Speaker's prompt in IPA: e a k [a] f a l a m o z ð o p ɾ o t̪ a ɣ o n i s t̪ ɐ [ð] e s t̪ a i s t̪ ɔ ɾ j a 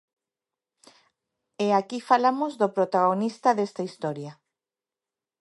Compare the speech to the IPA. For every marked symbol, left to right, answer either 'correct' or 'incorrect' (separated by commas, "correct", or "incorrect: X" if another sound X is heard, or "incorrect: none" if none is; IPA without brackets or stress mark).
incorrect: i, correct